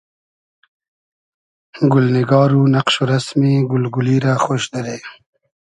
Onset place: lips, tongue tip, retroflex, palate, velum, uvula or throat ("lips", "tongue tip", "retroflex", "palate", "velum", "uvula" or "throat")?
velum